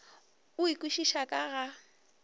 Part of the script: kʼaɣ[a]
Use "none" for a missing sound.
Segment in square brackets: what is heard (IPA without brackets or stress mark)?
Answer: a